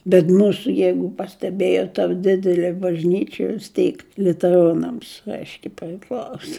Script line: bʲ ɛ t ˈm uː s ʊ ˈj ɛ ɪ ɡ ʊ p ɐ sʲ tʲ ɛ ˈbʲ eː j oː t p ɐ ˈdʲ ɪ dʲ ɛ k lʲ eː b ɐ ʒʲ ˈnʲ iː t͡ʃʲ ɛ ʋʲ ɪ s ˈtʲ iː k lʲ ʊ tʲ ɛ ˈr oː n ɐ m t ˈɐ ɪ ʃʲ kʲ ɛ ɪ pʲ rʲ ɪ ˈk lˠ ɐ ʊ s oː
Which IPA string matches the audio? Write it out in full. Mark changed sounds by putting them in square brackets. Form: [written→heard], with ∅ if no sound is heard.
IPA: bʲ ɛ t ˈm uː s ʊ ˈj ɛ ɪ ɡ ʊ p ɐ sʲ tʲ ɛ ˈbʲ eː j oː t [p→t] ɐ ˈdʲ ɪ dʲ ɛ [k→∅] lʲ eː b ɐ ʒʲ ˈnʲ iː t͡ʃʲ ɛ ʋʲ ɪ s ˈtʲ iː k lʲ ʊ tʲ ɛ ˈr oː n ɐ m [t→s] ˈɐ ɪ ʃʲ kʲ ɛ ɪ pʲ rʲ ɪ ˈk lˠ ɐ ʊ s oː